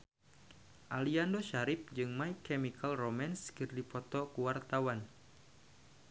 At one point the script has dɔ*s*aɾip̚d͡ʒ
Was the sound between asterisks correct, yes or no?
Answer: no